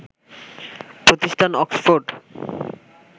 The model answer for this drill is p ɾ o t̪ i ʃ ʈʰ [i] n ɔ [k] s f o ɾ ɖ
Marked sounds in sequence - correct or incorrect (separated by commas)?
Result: incorrect, correct